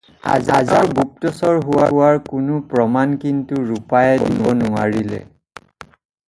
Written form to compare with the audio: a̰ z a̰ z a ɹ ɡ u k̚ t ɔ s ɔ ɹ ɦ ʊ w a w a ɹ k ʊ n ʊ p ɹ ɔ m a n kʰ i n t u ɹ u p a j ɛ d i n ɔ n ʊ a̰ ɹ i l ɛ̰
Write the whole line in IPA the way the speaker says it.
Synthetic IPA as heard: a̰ z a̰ z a ɹ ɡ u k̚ t ɔ s ɔ ɹ ɦ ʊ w a w a ɹ k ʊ n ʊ p ɹ ɔ m a n k i n t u ɹ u p a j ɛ d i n ɔ n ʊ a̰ ɹ i l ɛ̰